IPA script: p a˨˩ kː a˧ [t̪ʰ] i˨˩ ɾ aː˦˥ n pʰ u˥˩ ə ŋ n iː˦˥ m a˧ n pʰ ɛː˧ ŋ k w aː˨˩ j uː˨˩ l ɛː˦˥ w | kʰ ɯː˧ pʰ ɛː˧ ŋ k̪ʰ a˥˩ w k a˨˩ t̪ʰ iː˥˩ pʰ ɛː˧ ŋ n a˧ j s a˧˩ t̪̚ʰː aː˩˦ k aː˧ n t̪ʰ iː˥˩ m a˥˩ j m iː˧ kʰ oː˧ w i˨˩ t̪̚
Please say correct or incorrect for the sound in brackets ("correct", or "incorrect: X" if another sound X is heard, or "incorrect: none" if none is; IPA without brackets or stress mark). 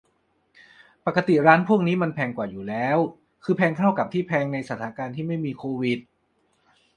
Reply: incorrect: t̪